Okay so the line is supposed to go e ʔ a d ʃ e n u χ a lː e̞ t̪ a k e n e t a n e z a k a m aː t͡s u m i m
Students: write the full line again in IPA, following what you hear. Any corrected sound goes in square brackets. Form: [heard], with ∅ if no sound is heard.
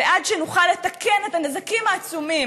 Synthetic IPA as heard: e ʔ a d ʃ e n u χ a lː e̞ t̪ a k e n e t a n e z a k [i] m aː t͡s u m i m